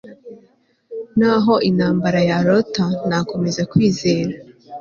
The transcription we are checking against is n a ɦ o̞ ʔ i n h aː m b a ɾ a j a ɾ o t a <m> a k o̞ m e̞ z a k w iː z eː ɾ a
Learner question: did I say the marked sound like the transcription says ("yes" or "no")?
no